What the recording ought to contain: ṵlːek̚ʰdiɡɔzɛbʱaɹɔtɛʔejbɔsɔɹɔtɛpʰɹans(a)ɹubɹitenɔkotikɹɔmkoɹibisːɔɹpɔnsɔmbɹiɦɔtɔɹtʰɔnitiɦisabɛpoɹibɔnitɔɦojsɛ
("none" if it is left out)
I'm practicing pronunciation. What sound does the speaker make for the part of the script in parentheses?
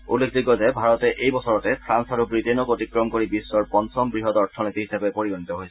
a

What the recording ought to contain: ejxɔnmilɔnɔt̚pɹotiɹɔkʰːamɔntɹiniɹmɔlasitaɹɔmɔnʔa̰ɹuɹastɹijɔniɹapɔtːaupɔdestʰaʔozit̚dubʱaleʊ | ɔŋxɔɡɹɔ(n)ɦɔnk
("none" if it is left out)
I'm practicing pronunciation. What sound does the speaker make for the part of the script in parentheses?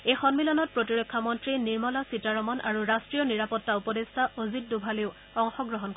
none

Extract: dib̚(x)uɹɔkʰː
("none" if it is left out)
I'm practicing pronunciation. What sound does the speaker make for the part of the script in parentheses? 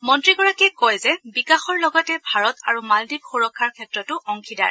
x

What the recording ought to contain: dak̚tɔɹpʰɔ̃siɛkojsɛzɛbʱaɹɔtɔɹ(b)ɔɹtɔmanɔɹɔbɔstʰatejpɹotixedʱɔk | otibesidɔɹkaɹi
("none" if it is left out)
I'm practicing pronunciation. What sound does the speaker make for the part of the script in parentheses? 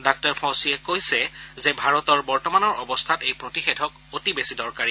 b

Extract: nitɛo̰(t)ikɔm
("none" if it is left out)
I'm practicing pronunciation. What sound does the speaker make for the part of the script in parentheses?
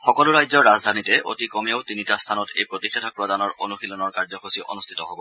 t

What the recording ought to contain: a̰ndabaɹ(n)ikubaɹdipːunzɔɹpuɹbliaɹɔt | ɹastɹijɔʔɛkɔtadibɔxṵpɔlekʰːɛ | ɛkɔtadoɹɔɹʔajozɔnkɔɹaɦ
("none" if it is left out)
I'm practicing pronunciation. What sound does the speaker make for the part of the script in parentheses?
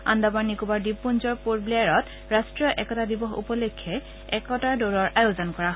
n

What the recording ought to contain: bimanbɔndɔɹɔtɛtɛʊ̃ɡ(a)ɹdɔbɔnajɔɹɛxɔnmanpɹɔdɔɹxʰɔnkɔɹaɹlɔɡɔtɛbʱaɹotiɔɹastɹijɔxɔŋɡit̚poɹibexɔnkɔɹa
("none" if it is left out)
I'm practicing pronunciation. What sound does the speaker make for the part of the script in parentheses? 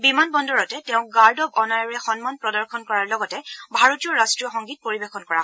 a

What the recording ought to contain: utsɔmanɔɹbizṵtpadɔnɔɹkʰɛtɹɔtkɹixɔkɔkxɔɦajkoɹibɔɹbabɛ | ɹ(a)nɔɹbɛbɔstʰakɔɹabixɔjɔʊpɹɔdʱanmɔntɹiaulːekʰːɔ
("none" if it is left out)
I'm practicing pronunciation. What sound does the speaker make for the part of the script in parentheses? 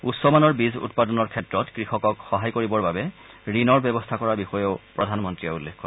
i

